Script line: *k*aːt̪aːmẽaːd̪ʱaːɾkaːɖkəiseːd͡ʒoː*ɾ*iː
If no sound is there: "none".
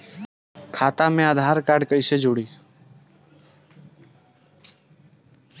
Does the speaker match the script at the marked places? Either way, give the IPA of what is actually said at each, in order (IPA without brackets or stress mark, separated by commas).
kʰ, ɽ